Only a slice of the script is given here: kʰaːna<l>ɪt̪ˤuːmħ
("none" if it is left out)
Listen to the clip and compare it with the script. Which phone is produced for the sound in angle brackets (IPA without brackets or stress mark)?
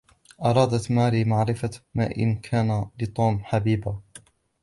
l